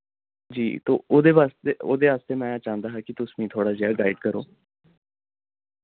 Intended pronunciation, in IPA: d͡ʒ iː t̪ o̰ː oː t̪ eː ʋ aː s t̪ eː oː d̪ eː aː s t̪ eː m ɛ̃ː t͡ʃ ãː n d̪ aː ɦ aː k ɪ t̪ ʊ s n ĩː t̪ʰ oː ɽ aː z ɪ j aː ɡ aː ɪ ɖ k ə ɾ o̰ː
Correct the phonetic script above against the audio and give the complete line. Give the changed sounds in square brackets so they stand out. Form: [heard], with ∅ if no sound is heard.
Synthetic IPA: d͡ʒ iː t̪ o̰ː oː [d̪] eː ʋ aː s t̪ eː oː d̪ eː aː s t̪ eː m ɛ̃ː t͡ʃ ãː n d̪ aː ɦ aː k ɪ t̪ ʊ s [m] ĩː t̪ʰ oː ɽ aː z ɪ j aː ɡ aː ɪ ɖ k ə ɾ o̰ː